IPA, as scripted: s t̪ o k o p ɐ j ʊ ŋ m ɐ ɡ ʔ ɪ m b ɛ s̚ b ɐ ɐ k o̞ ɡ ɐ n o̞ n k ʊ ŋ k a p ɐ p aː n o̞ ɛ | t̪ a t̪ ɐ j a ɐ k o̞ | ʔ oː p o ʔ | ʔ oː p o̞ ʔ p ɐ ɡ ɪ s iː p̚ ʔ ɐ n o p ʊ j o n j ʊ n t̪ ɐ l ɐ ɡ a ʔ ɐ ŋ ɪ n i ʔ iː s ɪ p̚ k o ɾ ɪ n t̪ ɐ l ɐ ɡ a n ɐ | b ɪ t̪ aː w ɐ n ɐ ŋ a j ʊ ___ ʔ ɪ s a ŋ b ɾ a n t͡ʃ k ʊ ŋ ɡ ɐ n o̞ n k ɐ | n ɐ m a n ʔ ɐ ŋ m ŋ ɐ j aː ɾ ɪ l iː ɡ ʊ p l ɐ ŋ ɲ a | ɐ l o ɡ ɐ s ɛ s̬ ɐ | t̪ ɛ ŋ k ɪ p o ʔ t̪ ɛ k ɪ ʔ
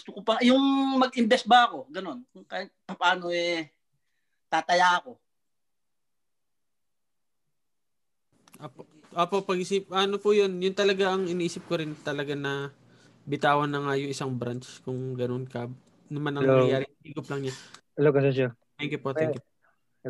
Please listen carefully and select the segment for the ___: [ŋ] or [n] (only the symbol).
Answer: ŋ